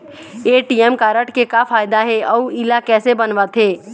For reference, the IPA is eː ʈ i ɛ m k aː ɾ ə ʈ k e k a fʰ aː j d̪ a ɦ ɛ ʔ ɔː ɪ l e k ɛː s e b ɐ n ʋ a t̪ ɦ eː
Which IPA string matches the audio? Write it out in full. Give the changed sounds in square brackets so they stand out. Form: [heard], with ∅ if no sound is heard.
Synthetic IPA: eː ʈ i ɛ m k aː ɾ ə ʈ k e k a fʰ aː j d̪ a ɦ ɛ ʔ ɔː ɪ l [a] k ɛː s e b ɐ n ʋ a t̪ ɦ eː

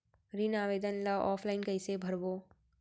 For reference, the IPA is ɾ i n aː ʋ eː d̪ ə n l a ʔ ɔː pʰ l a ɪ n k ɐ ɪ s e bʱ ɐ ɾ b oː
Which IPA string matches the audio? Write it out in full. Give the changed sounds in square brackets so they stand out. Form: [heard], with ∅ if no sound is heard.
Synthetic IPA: ɾ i n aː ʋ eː d̪ ə n l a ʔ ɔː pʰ l a ɪ n k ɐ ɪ s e bʱ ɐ ɾ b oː

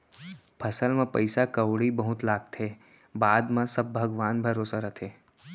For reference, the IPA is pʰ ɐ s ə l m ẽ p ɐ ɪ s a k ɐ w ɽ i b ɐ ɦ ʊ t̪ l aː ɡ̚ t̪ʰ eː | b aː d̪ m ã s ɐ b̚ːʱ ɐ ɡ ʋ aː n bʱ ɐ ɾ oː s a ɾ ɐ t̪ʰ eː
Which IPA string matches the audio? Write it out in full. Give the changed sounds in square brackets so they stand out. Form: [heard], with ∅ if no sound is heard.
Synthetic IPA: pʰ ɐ s ə l m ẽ p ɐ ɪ s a k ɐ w ɽ i b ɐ ɦ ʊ t̪ l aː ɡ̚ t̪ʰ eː | b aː d̪ m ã s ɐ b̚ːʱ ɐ ɡ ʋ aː n bʱ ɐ ɾ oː s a ɾ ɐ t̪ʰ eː

